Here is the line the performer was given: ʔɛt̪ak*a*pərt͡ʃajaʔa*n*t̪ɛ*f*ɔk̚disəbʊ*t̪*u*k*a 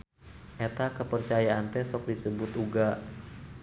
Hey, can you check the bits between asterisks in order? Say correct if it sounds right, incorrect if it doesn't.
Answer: incorrect: ə, correct, incorrect: s, correct, incorrect: ɡ

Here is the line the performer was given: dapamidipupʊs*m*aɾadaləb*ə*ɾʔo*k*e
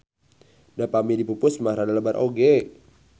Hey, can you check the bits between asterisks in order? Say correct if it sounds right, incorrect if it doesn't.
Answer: correct, incorrect: a, incorrect: ɡ

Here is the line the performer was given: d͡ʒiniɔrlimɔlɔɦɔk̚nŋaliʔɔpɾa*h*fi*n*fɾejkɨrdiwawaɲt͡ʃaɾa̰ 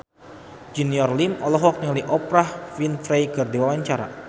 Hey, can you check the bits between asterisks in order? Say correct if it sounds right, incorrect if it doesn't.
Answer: correct, correct

